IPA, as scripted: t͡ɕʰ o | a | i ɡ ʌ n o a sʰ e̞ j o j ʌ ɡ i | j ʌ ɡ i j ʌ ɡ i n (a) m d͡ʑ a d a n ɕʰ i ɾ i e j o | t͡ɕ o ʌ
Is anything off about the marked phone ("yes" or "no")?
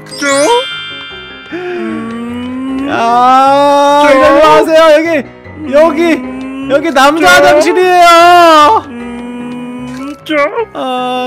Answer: no